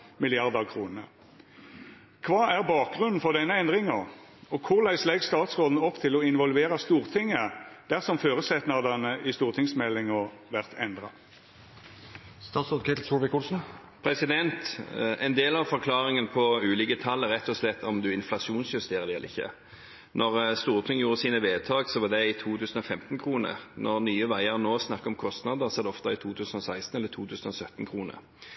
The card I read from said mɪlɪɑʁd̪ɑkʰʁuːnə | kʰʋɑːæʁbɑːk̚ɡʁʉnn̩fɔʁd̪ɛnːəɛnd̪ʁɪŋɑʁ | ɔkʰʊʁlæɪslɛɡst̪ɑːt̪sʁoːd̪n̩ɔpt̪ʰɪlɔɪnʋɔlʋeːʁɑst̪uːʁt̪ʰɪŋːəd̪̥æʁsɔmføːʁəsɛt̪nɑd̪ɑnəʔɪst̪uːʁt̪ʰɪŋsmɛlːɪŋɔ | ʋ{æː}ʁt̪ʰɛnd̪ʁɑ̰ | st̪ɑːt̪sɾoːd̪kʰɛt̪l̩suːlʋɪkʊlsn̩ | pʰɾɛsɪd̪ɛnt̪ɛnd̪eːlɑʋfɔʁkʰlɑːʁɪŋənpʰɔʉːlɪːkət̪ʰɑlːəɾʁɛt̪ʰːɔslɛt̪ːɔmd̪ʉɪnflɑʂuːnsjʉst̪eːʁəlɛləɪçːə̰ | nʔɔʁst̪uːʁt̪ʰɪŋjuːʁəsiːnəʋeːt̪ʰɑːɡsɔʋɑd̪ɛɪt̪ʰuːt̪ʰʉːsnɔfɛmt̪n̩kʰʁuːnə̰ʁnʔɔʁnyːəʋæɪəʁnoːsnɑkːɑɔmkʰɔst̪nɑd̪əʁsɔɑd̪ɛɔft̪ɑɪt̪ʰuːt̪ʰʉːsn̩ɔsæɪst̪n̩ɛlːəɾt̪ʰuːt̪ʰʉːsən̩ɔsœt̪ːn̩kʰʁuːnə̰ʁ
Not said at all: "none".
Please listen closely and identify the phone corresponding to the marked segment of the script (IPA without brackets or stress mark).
æ